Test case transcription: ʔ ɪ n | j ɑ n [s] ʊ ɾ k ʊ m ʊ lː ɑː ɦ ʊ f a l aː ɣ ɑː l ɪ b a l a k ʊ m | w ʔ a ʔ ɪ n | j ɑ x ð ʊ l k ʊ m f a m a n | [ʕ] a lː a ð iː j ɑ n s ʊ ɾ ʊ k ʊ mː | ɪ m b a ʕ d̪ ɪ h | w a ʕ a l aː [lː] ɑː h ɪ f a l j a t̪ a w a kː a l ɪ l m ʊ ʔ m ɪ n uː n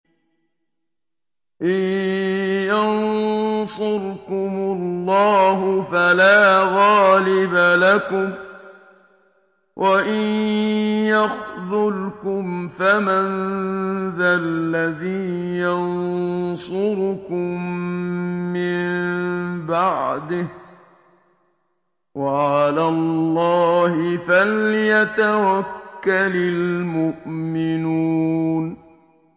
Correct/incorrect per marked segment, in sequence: correct, incorrect, correct

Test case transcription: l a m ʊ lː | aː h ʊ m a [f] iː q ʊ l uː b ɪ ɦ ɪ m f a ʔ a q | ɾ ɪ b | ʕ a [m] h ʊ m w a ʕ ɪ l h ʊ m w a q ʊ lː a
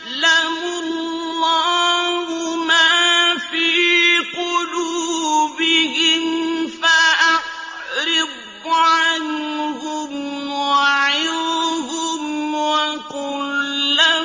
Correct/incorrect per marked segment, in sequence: correct, incorrect

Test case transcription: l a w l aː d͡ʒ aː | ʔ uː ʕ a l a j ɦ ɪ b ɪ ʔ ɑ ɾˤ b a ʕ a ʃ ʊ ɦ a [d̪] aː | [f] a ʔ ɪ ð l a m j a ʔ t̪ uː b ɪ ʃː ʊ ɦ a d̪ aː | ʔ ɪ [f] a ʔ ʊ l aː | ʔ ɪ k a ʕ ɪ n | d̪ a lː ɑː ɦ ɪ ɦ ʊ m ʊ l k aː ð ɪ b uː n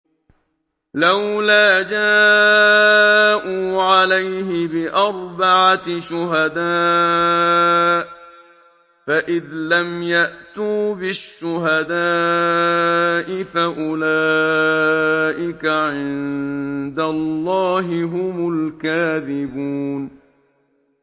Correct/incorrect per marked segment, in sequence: correct, correct, correct

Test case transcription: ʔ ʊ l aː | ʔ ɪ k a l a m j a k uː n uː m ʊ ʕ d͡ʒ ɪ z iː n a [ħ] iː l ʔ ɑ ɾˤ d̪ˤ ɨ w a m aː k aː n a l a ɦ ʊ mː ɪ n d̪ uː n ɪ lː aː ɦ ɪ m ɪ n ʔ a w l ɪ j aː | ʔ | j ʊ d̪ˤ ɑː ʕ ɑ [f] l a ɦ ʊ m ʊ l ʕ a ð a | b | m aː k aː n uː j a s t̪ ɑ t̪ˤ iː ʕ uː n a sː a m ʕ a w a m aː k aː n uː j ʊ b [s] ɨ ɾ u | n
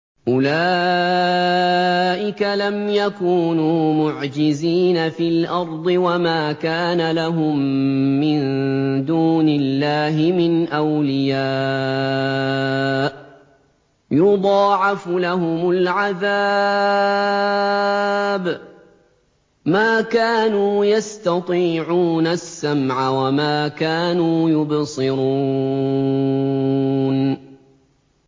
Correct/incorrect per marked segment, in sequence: incorrect, correct, correct

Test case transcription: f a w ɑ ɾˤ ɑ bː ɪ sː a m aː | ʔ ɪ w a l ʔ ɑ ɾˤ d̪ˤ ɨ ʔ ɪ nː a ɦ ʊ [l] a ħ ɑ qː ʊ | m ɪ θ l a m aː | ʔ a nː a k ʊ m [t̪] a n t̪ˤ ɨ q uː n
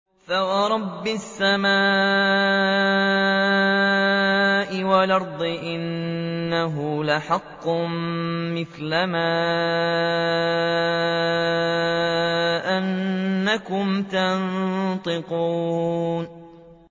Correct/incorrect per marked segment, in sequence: correct, correct

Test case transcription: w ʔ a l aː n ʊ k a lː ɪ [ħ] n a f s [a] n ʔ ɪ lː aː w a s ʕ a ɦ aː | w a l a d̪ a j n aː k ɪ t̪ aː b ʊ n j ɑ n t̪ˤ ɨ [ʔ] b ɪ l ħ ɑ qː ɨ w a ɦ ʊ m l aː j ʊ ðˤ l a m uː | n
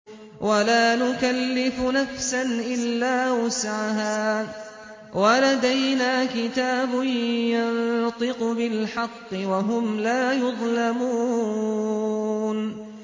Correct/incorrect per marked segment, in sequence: incorrect, correct, incorrect

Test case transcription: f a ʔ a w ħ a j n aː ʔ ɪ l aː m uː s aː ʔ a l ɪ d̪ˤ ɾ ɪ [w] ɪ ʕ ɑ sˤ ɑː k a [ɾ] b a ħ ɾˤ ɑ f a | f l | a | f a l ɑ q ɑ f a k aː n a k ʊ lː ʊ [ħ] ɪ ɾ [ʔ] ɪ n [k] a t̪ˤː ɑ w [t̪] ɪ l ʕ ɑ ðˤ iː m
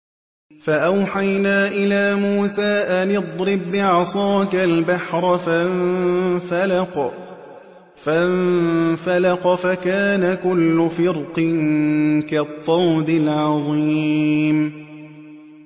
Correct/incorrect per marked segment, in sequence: incorrect, incorrect, incorrect, incorrect, correct, incorrect

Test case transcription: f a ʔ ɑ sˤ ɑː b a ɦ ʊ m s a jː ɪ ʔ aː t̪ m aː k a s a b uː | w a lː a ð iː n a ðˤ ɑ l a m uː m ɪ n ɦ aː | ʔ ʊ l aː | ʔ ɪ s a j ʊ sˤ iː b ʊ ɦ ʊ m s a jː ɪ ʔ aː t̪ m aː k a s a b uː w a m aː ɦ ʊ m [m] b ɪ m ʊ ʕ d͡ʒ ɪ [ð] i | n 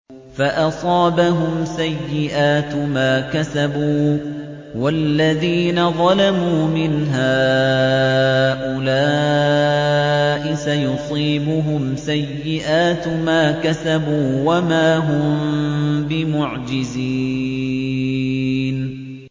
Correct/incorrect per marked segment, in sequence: correct, incorrect

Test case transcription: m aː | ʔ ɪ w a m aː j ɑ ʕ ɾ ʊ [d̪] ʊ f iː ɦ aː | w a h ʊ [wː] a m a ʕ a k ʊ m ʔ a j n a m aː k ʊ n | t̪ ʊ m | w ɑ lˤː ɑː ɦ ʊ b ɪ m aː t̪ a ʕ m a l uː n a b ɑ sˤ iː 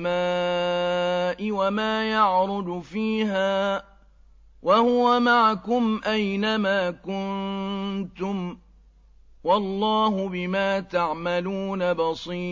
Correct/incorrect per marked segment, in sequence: correct, incorrect

